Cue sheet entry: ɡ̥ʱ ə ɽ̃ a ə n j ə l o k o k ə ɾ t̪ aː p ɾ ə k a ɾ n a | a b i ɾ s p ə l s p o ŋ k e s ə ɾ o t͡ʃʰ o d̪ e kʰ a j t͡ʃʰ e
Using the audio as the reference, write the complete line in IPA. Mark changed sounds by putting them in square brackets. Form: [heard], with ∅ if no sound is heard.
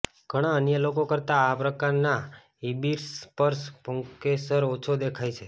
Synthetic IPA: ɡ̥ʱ ə ɽ̃ a ə n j ə l o k o k ə ɾ t̪ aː p ɾ ə k a ɾ n a | [i] b i ɾ s p ə [ɾ] s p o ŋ k e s ə ɾ o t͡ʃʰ o d̪ e kʰ a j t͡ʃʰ e